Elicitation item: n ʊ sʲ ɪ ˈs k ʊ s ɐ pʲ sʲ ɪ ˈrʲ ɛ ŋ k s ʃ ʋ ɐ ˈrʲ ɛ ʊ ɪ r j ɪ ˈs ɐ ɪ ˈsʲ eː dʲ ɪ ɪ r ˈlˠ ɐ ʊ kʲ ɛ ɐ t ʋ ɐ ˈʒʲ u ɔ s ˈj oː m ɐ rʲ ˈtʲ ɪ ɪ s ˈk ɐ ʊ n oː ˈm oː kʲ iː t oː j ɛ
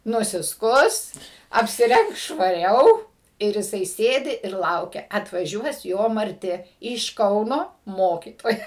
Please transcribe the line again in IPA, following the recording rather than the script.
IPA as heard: n ʊ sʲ ɪ ˈs k ʊ s ɐ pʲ sʲ ɪ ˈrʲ ɛ ŋ k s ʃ ʋ ɐ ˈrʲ ɛ ʊ ɪ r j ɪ ˈs ɐ ɪ ˈsʲ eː dʲ ɪ ɪ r ˈlˠ ɐ ʊ kʲ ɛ ɐ t ʋ ɐ ˈʒʲ u ɔ s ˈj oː m ɐ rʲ ˈtʲ ɪ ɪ ʃ ˈk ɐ ʊ n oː ˈm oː kʲ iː t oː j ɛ